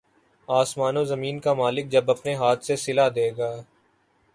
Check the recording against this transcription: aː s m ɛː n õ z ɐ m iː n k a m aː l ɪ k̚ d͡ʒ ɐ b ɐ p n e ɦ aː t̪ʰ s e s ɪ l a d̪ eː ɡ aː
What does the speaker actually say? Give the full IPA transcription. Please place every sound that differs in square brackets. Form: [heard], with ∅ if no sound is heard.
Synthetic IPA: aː s m [aː] n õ z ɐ m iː n k a m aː l ɪ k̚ d͡ʒ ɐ b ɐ p n e ɦ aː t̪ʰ s e s ɪ l a d̪ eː ɡ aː